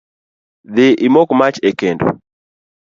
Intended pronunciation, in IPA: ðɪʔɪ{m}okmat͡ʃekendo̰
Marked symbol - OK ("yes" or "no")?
yes